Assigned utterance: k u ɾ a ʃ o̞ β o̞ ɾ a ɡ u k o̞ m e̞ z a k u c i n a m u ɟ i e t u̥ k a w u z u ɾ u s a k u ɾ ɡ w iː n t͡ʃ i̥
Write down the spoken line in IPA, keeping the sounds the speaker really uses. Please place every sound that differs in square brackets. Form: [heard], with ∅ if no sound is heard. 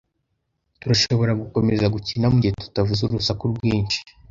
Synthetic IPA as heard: [t] u ɾ a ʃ o̞ β o̞ ɾ a ɡ u k o̞ m e̞ z a [ɡ] u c i n a m u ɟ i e t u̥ [t] a [v] u z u ɾ u s a k u ɾ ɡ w iː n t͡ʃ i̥